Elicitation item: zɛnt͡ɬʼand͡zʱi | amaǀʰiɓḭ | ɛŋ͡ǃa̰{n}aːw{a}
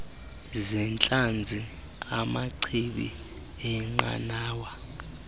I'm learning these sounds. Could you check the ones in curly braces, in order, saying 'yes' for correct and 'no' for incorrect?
yes, yes

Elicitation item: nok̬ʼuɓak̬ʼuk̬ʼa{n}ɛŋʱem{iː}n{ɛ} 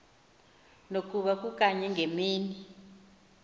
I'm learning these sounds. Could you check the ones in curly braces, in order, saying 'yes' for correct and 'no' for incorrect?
no, yes, no

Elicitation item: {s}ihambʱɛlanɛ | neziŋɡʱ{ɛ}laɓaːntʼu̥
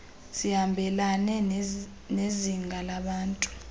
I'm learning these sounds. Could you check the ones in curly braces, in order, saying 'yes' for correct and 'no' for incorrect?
yes, no

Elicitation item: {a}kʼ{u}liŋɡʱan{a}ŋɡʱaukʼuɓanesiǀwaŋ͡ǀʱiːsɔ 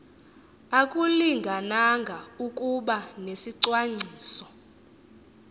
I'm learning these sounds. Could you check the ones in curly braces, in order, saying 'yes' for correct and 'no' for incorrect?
yes, yes, yes

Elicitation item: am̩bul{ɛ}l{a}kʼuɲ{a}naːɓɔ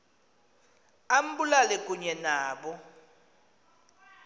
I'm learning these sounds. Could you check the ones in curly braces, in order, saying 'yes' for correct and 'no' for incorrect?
no, no, no

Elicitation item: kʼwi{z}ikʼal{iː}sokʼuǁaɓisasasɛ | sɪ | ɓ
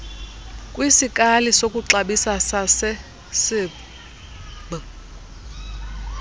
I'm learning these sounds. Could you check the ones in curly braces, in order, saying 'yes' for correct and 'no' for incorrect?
no, no

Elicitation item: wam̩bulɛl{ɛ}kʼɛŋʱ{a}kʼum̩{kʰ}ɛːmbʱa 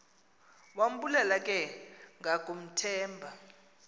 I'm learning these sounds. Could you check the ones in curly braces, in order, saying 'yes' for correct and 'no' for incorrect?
no, yes, no

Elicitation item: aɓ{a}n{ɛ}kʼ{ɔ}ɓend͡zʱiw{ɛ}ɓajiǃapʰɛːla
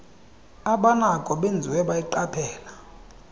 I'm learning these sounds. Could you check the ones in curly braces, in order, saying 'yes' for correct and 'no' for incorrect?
yes, no, yes, yes

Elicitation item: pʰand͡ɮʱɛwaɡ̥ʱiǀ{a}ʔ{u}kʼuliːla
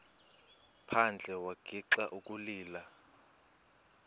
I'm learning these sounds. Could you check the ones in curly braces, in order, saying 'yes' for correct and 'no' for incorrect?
yes, yes

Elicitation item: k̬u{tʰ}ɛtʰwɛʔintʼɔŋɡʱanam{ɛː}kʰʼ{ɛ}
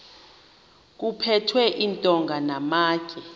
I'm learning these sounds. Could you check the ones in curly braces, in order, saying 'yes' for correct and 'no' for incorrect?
no, no, yes

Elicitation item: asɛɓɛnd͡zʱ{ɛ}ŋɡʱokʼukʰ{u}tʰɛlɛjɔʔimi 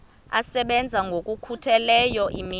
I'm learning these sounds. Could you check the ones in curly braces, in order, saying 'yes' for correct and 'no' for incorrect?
no, yes

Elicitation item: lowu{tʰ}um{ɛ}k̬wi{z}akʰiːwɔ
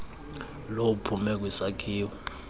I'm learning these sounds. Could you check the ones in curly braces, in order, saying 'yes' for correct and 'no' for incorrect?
no, yes, no

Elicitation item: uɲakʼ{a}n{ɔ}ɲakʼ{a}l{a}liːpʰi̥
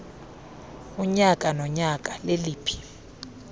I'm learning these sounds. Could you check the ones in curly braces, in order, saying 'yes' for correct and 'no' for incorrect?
yes, yes, yes, no

